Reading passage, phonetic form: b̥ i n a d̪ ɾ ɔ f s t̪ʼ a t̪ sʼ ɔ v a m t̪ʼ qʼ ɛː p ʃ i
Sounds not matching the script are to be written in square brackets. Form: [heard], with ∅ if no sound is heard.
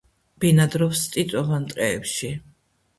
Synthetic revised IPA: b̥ i n a d̪ ɾ ɔ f s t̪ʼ [i] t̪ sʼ ɔ v a [n] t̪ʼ qʼ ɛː p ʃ i